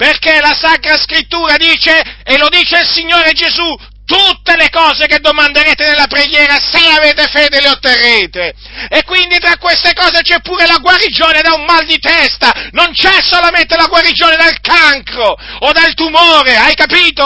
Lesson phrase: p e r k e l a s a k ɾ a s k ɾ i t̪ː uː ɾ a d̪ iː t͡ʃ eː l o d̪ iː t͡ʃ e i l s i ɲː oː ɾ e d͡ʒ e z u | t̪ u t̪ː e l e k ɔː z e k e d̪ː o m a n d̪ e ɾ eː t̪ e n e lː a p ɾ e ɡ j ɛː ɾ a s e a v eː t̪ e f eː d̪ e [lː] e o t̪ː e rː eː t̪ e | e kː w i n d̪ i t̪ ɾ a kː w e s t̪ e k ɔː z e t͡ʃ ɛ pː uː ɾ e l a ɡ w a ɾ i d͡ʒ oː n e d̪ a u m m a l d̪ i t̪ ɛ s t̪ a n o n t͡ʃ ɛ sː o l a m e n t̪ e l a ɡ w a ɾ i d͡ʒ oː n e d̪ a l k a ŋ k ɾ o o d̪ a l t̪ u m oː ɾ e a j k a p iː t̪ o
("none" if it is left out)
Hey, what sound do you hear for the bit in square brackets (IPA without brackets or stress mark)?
l